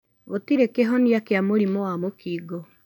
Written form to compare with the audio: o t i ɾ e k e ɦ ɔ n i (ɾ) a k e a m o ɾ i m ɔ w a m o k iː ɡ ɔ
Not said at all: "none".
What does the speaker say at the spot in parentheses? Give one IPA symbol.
none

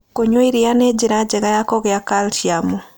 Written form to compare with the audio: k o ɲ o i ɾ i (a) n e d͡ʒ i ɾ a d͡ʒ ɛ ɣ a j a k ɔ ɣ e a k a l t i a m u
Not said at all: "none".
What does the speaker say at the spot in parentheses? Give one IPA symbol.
a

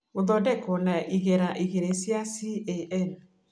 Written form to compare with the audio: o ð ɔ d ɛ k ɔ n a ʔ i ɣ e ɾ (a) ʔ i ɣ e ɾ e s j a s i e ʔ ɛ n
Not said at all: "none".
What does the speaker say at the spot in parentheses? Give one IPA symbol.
a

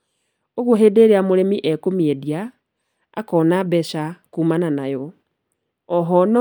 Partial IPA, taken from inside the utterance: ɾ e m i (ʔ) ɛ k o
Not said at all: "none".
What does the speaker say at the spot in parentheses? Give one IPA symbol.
ʔ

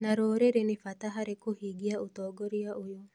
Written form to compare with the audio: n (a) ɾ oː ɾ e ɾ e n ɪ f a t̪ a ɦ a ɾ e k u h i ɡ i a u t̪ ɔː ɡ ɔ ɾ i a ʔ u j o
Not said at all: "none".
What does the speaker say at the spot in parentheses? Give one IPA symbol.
a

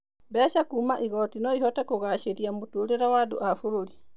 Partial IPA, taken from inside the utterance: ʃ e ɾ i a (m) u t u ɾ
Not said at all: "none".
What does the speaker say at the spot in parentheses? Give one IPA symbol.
m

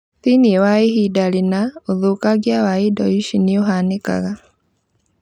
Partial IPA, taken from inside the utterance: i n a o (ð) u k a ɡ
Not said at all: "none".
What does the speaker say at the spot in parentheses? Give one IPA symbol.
ð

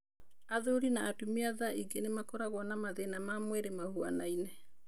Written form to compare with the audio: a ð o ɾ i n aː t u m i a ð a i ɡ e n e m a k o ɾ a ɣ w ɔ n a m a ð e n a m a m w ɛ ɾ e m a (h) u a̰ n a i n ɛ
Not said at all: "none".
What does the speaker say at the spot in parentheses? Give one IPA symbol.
h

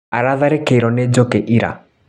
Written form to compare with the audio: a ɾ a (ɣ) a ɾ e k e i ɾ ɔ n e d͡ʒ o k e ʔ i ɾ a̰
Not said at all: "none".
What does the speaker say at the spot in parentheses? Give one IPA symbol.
ð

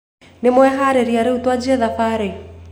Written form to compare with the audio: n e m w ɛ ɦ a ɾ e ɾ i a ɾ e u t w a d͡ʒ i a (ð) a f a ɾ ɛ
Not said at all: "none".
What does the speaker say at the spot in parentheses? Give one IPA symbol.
ð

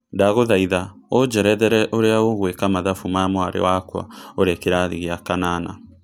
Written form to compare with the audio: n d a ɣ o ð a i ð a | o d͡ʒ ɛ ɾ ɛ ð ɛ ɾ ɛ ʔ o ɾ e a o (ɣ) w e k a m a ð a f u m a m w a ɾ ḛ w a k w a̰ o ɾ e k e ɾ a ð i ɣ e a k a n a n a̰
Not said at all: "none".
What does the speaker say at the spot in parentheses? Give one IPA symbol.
ɣ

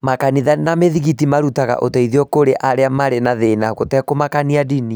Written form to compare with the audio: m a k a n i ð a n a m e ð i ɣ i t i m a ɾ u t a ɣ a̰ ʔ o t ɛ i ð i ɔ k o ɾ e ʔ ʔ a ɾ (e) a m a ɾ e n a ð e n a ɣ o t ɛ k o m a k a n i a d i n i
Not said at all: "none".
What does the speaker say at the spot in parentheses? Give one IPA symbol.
e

